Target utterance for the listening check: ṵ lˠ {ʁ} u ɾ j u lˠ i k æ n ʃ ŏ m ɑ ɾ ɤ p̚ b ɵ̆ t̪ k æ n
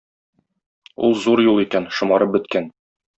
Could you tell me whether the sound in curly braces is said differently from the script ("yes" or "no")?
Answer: yes